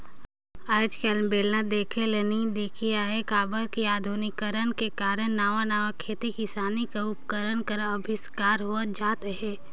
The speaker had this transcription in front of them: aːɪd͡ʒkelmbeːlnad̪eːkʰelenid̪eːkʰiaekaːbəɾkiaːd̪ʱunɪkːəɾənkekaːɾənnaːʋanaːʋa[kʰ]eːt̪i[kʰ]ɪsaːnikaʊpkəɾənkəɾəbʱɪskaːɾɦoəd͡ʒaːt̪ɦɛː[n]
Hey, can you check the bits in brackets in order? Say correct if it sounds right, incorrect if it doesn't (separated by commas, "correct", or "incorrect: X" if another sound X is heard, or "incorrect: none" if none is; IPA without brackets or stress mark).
correct, incorrect: k, incorrect: none